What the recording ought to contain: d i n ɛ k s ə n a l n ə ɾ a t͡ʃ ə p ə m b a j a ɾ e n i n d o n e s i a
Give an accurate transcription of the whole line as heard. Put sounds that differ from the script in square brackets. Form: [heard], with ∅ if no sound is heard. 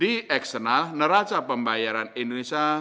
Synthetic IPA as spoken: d i [∅] ɛ k s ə n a l n ə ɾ a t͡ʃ [a] p ə m b a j a ɾ [a] n i n d o n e s i a